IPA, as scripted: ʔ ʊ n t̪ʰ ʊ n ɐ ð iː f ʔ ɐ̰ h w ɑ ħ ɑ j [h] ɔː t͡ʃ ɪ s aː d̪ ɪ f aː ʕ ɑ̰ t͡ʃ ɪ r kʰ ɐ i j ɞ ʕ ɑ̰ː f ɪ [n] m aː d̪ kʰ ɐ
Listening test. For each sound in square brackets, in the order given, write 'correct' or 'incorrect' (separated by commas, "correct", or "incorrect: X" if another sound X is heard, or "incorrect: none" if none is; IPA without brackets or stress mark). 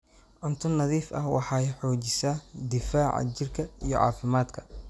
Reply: incorrect: ħ, incorrect: none